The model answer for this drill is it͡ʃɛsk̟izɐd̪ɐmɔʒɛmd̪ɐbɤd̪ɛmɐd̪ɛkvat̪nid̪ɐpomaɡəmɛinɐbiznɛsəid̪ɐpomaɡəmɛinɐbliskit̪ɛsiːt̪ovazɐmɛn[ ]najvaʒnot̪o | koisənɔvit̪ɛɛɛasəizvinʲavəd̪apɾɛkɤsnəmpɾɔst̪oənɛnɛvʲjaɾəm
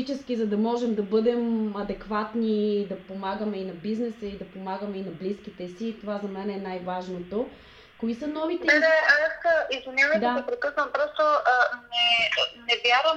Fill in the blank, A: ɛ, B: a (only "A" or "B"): A